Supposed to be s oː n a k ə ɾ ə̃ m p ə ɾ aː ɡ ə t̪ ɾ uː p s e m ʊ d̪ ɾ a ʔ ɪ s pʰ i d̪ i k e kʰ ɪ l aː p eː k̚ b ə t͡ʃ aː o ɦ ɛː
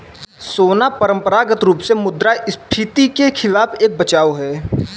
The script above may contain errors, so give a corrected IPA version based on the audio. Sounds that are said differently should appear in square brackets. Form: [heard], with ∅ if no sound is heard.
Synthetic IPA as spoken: s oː n a [p] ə ɾ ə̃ m p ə ɾ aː ɡ ə t̪ ɾ uː p s e m ʊ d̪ ɾ a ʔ ɪ s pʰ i [t̪] i k e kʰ ɪ l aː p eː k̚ b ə t͡ʃ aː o ɦ ɛː